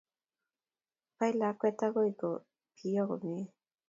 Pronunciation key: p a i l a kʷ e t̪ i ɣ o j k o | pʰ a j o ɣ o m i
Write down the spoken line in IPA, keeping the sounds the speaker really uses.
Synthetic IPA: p a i l a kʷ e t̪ a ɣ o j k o | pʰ i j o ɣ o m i